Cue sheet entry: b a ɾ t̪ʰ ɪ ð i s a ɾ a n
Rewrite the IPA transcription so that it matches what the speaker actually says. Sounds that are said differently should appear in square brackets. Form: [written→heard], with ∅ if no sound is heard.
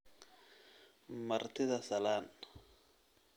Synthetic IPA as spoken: [b→m] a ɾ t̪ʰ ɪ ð [i→a] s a [ɾ→l] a n